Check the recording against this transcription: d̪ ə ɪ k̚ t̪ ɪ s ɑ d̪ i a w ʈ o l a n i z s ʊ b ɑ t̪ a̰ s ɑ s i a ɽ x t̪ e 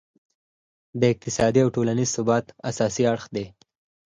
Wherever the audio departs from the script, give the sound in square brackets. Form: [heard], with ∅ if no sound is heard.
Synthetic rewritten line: d̪ ə ɪ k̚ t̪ ɪ s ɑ d̪ i a w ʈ o l a n i z s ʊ b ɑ t̪ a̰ s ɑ s i a ɽ x [d̪] e